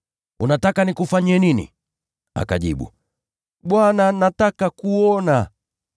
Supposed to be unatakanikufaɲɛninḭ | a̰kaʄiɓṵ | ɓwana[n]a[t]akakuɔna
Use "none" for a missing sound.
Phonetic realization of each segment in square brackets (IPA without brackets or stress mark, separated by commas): n, t